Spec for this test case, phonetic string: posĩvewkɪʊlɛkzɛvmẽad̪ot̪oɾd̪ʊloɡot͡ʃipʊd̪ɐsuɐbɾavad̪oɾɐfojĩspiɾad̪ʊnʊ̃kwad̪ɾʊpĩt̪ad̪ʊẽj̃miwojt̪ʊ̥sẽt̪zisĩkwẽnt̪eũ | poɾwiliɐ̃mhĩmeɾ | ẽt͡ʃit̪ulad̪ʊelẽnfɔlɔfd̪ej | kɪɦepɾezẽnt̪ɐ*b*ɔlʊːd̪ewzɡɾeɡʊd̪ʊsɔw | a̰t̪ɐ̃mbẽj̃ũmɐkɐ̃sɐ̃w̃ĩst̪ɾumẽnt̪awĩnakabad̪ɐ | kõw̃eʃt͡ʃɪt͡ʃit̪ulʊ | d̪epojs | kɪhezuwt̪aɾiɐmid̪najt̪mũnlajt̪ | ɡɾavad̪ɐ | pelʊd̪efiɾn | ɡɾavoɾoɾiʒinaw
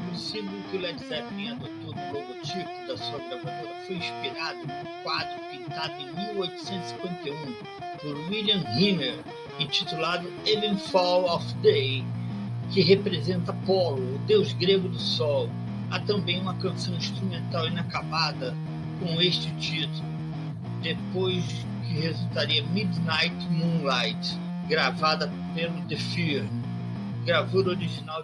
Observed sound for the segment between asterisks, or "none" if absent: p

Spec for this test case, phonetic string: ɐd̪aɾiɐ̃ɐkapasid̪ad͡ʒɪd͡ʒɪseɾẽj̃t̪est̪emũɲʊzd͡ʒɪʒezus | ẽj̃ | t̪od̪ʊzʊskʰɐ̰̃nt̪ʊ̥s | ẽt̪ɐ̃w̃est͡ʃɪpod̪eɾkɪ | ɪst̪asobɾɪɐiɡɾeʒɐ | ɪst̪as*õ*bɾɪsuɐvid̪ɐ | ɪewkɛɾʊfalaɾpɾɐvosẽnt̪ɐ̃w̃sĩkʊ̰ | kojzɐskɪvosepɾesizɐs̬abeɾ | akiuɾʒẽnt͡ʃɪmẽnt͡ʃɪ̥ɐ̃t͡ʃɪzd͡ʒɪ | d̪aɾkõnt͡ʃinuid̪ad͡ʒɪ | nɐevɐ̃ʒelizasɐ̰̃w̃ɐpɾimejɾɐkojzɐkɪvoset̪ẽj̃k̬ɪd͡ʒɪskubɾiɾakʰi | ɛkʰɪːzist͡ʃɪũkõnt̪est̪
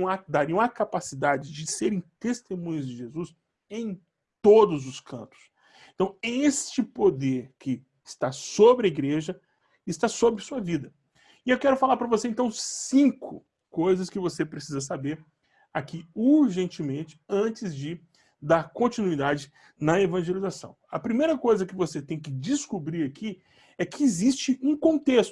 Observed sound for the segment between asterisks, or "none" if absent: o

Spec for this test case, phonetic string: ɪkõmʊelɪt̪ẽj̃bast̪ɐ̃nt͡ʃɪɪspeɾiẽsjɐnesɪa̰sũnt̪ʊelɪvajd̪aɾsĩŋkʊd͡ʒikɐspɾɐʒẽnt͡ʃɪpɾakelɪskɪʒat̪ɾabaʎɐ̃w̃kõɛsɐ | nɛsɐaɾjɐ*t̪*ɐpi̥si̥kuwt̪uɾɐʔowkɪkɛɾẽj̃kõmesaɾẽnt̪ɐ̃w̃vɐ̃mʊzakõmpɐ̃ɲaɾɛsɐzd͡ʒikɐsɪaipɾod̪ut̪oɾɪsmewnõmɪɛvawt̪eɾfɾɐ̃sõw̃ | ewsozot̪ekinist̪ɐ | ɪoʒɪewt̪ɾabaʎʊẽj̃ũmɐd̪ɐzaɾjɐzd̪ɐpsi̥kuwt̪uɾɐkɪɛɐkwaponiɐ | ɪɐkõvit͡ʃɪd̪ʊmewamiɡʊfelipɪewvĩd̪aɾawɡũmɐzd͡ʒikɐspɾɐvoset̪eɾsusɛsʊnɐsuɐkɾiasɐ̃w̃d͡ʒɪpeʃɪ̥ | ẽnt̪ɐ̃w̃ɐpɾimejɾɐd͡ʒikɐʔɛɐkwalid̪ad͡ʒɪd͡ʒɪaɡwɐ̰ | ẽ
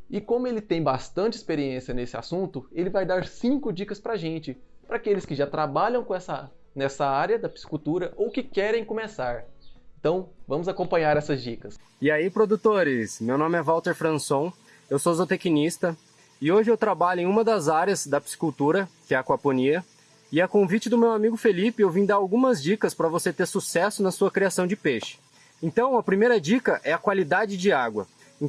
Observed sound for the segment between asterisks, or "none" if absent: d̪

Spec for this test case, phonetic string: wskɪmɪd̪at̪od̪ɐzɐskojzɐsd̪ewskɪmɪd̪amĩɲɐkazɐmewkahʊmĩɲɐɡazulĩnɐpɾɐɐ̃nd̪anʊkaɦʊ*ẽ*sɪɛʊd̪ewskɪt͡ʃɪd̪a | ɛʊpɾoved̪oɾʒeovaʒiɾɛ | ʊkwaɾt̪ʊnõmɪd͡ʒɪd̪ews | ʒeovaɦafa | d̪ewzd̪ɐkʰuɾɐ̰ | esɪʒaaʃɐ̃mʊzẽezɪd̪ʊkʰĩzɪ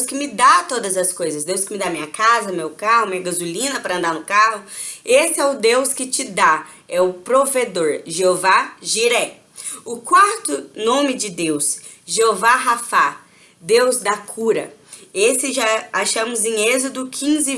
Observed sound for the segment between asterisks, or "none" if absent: e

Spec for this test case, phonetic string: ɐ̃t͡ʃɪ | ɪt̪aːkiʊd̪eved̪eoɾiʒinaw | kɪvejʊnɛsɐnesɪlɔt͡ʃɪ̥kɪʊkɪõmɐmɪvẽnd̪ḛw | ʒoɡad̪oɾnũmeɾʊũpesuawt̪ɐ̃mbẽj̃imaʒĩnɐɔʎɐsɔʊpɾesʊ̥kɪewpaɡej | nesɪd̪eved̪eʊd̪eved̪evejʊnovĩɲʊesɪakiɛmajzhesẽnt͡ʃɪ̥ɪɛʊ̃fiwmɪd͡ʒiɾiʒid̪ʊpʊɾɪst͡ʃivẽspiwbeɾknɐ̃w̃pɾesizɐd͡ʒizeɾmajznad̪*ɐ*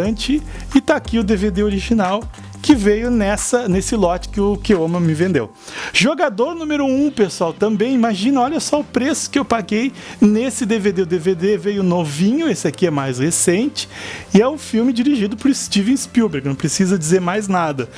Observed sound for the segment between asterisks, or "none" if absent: ɐ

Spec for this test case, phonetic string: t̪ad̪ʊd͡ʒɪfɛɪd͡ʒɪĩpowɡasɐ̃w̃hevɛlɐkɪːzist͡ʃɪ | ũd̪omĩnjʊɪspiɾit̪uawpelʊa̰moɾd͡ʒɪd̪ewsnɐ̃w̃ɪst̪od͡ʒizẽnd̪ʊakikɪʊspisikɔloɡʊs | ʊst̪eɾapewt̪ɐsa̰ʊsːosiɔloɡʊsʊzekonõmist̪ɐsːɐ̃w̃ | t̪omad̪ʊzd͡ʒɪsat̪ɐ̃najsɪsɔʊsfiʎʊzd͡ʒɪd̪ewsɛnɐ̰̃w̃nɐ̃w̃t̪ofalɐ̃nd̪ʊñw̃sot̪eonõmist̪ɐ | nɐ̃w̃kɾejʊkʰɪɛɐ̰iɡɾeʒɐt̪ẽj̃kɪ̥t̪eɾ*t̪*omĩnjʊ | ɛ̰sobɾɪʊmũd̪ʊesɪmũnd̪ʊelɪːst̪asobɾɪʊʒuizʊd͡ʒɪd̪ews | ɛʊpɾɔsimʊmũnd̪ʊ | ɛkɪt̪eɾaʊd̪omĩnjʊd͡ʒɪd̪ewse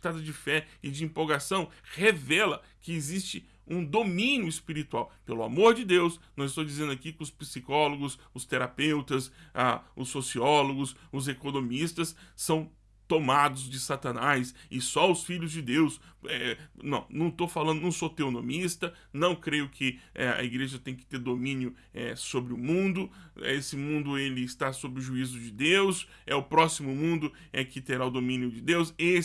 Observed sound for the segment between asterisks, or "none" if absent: d̪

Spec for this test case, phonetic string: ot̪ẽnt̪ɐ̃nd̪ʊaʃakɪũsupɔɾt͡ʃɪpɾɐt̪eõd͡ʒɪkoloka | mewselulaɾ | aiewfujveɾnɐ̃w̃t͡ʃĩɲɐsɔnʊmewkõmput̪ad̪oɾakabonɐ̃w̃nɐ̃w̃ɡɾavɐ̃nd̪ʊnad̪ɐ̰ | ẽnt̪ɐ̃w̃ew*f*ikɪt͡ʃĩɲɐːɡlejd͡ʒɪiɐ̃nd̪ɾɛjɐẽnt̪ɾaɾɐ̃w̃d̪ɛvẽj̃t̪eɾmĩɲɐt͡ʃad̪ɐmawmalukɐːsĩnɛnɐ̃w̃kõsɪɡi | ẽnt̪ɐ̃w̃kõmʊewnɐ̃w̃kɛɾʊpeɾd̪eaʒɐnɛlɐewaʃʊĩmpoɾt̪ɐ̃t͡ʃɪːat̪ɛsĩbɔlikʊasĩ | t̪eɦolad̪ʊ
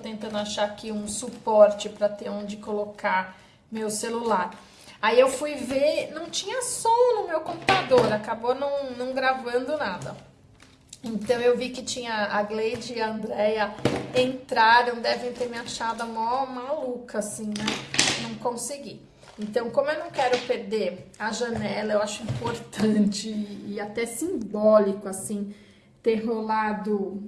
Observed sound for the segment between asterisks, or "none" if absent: v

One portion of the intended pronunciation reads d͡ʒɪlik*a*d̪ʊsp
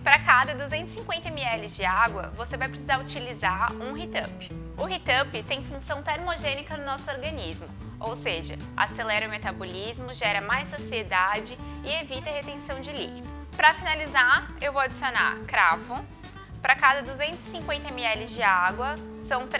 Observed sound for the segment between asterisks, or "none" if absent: i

